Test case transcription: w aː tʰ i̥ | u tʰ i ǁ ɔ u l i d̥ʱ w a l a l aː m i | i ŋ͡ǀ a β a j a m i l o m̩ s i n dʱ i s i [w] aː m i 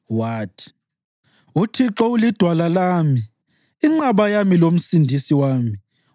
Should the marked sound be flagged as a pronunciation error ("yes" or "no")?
no